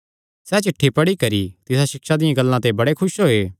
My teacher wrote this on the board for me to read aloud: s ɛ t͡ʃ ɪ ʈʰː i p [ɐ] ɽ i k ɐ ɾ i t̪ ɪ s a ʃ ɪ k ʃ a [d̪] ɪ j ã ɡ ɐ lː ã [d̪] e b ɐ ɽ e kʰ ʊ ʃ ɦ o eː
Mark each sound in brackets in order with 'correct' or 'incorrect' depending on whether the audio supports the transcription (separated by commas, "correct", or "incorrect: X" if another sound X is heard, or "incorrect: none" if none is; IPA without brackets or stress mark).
correct, correct, incorrect: t̪